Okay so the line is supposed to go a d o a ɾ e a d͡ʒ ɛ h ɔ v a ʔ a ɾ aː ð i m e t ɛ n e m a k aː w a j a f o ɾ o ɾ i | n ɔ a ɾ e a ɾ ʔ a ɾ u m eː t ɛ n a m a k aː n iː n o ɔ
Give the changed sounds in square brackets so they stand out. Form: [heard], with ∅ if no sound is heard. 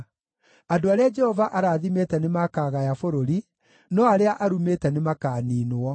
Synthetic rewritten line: a d o a ɾ e a d͡ʒ ɛ h ɔ v a ʔ a ɾ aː ð i m e t ɛ n e m a k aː [ɣ] a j a f o ɾ o ɾ i | n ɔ a ɾ e a [∅] ʔ a ɾ u m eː t ɛ n [e] m a k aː n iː n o ɔ

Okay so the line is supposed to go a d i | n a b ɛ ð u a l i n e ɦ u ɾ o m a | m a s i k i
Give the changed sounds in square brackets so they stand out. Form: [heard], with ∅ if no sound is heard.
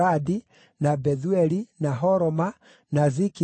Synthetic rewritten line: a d i | n a b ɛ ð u [ɛ] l i n [a] ɦ [ɔ] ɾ [ɔ] m a | [n] a [z] i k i

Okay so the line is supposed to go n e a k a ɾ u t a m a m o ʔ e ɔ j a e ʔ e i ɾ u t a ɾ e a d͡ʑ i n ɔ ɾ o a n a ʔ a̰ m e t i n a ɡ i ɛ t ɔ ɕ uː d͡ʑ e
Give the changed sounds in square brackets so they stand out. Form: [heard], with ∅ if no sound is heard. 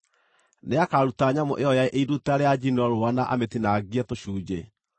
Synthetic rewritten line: n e a k a ɾ u t a [ɲ] a m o ʔ e ɔ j a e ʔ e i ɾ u t a ɾ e a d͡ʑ i n ɔ ɾ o a n a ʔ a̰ m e t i n a ɡ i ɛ t [o] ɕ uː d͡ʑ e

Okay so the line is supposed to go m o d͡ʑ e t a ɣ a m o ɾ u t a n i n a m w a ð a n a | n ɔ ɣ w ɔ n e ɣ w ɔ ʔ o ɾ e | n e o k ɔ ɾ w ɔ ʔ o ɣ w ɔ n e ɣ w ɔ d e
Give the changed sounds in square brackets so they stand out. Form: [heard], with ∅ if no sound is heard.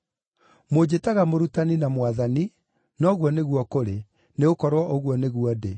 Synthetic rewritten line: m o d͡ʑ e t a ɣ a m o ɾ u t a n i n a m w a ð a n [i] | n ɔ ɣ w ɔ n e ɣ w ɔ [k] o ɾ e | n e o k ɔ ɾ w ɔ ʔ o ɣ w ɔ n e ɣ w ɔ d e

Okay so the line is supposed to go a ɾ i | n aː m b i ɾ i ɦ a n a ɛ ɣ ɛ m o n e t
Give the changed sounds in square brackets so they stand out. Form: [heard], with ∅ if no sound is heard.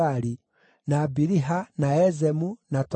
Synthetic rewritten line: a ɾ i | n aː [∅] b i ɾ i ɦ a n a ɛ [z] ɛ m [u] n [a] t

